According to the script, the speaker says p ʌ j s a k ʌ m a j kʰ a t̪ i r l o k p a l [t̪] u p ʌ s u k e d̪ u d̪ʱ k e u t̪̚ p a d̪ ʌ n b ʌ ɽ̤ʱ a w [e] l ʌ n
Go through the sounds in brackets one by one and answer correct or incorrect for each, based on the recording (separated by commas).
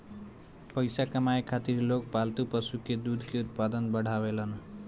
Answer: correct, correct